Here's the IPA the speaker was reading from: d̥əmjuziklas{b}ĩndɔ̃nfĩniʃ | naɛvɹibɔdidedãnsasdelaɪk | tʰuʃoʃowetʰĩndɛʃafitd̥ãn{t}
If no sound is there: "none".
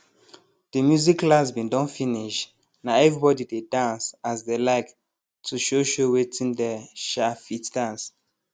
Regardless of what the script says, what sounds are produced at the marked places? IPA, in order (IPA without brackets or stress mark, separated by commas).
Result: b, s